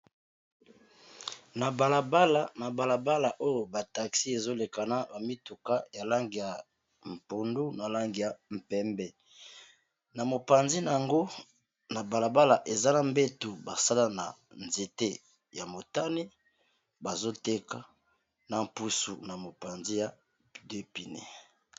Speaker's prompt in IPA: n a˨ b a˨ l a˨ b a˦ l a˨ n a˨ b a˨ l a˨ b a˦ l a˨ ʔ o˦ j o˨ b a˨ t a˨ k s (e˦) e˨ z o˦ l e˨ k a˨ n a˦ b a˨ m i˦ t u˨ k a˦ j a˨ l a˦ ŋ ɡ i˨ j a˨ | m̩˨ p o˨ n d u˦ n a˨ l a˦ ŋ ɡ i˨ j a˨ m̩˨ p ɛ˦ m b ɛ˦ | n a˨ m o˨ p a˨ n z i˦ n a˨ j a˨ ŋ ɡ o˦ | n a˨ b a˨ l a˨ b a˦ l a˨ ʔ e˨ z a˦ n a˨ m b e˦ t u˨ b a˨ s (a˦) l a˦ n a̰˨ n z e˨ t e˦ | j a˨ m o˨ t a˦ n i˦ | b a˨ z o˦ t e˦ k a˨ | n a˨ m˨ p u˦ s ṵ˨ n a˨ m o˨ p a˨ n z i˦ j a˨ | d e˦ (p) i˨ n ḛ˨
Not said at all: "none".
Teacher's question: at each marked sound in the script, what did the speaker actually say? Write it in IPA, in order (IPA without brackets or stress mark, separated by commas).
i˦, a˦, p